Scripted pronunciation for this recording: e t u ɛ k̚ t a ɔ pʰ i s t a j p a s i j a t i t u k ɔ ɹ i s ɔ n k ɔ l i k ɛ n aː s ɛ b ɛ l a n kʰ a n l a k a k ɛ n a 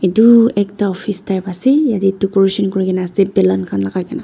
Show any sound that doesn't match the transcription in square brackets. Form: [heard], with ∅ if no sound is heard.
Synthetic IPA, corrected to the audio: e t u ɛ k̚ t a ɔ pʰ i s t a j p a s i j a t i t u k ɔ ɹ i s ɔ n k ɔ [ɹ] i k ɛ n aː s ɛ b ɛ l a n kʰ a n l a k a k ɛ n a